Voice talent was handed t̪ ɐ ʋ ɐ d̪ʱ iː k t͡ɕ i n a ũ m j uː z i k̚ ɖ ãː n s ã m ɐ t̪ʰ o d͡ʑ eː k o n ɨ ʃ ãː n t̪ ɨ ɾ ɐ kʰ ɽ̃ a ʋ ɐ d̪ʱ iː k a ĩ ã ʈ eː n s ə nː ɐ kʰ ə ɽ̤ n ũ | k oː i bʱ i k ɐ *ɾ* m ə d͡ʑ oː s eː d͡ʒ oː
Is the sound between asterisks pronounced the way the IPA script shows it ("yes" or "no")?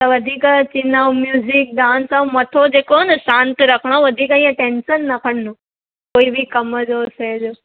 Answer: no